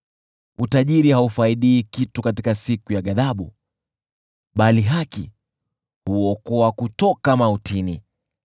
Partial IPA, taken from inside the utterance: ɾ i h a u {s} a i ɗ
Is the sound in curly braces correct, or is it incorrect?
incorrect: f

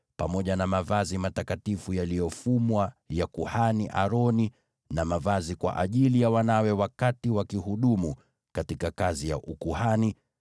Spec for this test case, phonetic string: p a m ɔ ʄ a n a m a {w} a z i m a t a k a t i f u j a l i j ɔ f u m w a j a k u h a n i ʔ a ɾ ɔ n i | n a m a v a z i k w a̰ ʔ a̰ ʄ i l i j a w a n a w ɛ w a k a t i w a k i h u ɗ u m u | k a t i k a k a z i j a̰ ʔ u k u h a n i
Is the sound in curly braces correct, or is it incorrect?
incorrect: v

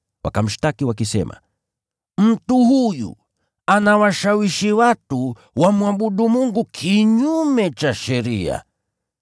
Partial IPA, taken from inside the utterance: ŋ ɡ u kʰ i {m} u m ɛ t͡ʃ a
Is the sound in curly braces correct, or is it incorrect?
incorrect: ɲ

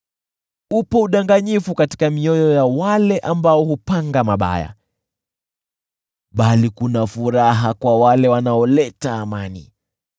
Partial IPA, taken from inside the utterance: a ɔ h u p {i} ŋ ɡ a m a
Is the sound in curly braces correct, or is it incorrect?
incorrect: a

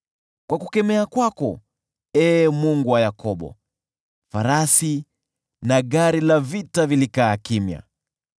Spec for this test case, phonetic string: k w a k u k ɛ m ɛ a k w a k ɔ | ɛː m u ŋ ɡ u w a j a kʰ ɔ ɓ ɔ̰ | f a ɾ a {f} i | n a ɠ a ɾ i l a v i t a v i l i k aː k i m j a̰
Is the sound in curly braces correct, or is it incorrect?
incorrect: s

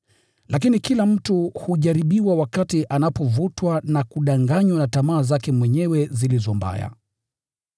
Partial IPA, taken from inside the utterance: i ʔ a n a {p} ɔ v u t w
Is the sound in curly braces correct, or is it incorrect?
correct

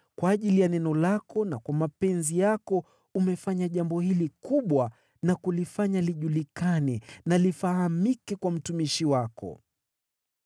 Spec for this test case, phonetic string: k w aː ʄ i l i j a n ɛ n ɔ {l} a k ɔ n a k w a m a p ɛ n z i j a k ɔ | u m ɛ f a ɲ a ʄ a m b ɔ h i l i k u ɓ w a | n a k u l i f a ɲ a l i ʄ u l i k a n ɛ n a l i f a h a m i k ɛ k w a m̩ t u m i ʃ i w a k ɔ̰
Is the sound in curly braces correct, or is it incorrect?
correct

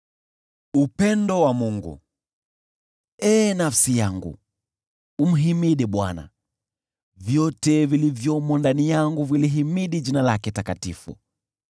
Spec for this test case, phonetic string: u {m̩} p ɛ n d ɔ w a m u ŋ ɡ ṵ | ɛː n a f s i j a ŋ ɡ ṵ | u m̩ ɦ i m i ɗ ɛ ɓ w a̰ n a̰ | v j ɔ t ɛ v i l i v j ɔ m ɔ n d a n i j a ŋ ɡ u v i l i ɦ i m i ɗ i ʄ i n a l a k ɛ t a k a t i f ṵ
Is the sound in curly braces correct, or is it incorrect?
incorrect: none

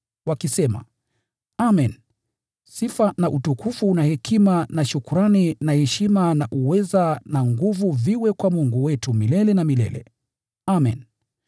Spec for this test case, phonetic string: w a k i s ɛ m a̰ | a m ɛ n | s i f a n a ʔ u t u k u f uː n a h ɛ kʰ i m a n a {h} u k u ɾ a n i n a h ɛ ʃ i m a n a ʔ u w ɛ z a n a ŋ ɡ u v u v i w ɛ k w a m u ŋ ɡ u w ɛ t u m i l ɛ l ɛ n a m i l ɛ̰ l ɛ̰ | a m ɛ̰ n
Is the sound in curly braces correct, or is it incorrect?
incorrect: ʃ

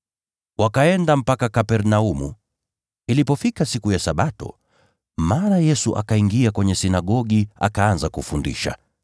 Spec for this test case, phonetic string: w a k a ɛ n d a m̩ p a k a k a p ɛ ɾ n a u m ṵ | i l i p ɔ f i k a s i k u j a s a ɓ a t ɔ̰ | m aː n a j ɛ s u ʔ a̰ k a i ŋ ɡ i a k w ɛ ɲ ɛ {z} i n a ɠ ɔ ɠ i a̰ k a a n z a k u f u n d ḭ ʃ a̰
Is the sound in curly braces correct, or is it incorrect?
incorrect: s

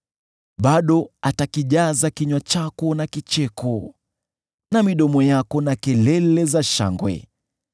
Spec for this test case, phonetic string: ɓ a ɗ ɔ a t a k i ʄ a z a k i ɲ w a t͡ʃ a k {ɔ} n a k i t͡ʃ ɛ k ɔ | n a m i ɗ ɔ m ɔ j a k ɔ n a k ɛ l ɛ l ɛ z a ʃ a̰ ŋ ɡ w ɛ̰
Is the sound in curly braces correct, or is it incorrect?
correct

